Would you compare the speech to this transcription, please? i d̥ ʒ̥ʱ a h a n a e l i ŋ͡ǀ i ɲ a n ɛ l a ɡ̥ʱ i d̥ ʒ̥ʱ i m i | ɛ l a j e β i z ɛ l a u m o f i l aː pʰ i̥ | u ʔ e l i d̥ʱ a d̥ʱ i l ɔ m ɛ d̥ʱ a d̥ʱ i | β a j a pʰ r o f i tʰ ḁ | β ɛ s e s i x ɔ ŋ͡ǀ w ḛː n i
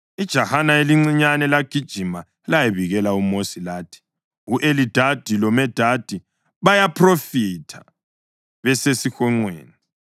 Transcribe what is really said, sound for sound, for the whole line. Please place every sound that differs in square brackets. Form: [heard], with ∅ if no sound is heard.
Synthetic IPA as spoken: i d̥ ʒ̥ʱ a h a n a e l i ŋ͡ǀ i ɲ a n ɛ l a ɡ̥ʱ i d̥ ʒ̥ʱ i m [a] | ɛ l a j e β i [ɣ] ɛ l a u m o [s] i l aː [tʰ] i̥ | u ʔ e l i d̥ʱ a d̥ʱ i l ɔ m ɛ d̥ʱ a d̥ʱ i | β a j a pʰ r o f i tʰ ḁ | β ɛ s e s i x ɔ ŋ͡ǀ w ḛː n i